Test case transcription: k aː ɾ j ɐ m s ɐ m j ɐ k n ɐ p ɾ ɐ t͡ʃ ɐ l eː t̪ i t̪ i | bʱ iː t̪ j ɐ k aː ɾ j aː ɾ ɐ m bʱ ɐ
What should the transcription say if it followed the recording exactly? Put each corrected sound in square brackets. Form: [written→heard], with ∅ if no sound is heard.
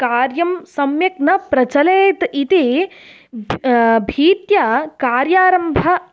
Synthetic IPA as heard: k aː ɾ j ɐ m s ɐ m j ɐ k n ɐ p ɾ ɐ t͡ʃ ɐ l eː t̪ i t̪ i | bʱ iː t̪ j ɐ k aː ɾ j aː ɾ ɐ m bʱ ɐ